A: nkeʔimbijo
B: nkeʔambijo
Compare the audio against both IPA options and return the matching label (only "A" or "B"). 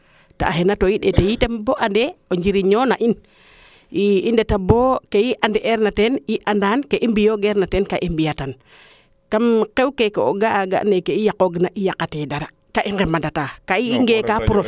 A